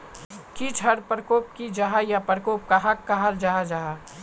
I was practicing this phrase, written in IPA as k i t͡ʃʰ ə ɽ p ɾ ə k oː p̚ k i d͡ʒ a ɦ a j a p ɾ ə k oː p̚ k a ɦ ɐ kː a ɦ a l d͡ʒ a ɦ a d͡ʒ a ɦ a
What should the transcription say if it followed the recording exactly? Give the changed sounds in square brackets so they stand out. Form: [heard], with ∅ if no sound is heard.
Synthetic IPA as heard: k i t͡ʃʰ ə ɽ p ɾ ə k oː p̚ k i d͡ʒ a ɦ a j a p ɾ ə k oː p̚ k a ɦ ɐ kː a ɦ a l d͡ʒ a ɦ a d͡ʒ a ɦ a